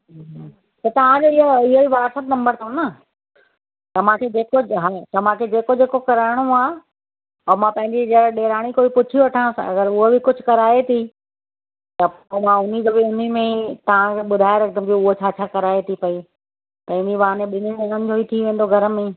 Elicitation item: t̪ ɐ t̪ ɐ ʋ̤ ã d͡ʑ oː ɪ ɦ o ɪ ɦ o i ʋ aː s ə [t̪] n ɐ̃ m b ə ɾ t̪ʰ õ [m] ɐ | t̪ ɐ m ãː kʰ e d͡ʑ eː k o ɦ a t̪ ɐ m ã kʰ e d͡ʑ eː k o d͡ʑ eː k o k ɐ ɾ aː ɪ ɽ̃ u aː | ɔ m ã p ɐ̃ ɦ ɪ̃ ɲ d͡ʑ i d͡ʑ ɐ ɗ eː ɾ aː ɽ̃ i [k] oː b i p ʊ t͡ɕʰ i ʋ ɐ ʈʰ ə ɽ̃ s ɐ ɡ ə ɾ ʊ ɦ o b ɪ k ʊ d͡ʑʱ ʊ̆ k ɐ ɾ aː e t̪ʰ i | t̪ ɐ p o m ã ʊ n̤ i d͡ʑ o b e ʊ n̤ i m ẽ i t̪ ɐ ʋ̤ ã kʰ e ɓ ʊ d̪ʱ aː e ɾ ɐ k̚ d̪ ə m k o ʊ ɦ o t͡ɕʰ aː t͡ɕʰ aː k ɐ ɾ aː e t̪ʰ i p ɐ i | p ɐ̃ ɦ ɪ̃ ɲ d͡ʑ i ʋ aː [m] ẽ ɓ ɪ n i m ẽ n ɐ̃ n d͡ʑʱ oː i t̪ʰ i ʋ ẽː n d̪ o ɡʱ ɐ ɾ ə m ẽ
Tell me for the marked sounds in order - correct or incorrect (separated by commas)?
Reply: correct, incorrect, correct, incorrect